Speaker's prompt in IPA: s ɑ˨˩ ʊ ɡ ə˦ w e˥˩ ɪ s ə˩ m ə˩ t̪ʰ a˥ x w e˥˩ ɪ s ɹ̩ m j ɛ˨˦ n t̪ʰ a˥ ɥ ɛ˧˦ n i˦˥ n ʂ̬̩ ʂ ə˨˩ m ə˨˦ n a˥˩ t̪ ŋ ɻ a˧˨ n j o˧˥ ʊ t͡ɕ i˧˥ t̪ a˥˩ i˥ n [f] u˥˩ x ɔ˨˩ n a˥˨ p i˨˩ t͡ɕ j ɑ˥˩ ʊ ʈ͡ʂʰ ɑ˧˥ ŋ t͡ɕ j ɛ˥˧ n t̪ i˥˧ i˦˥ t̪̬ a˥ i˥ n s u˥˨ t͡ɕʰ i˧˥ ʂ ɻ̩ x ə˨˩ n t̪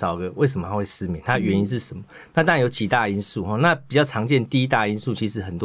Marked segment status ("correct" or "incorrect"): incorrect